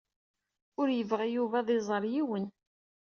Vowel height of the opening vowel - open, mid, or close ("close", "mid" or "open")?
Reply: close